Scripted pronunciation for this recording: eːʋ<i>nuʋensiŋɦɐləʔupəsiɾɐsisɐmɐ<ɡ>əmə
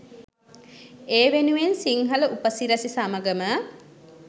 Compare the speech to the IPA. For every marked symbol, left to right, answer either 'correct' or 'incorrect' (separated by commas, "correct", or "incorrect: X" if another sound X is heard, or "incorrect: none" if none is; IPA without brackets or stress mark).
incorrect: e, correct